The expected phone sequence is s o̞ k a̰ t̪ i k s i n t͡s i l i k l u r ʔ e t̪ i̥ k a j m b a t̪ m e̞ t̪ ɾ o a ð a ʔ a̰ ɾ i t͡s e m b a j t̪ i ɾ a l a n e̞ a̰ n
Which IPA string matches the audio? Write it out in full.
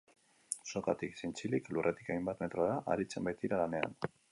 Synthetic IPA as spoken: s o̞ k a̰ t̪ i k s i n t͡s i l i k l u r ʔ e t̪ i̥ k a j m b a t̪ m e̞ t̪ ɾ o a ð a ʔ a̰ ɾ i t͡s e m b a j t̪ i ɾ a l a n e̞ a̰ n